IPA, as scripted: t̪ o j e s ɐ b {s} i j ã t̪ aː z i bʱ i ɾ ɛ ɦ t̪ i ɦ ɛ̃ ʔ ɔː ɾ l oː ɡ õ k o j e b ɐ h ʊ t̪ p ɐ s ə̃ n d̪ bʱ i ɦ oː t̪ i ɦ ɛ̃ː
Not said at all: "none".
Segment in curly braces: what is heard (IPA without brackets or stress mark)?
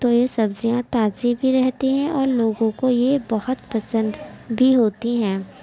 z